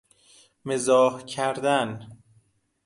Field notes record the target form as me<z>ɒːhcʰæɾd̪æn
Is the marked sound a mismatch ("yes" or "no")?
no